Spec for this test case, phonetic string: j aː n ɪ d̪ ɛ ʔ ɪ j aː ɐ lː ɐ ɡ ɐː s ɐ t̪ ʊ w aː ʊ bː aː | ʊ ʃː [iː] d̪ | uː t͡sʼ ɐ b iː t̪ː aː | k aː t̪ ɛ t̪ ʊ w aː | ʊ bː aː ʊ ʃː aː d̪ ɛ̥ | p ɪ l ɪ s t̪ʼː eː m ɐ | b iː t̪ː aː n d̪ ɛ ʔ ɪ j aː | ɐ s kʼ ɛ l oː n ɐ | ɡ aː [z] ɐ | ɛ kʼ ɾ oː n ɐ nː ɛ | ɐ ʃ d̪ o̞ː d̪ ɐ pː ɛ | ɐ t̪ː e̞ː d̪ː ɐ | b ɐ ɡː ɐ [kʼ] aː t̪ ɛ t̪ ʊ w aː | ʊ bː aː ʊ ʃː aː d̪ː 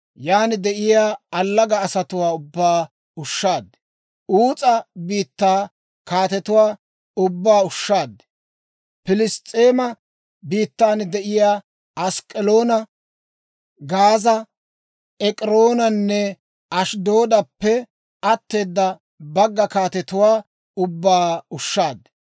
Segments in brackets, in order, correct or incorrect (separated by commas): incorrect, correct, incorrect